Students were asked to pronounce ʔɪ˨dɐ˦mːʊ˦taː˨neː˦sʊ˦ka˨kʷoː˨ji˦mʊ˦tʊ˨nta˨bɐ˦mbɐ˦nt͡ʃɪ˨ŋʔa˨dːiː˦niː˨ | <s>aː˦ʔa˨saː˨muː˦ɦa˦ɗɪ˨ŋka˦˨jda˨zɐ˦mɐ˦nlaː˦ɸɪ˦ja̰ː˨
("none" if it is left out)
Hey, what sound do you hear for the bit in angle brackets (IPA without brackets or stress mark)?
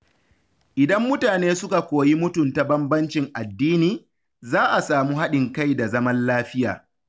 z